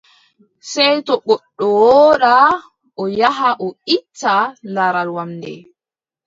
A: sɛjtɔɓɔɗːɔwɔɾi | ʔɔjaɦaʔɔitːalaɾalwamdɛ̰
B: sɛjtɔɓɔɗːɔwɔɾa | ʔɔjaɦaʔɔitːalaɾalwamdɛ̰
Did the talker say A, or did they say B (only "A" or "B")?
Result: B